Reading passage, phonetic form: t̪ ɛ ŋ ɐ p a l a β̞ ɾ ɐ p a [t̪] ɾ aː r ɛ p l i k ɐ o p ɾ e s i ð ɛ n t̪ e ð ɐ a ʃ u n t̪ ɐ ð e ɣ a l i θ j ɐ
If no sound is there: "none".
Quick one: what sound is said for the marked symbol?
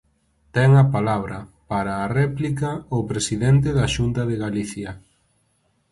none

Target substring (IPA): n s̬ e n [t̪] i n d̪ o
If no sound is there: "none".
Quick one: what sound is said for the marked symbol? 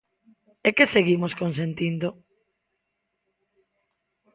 t̪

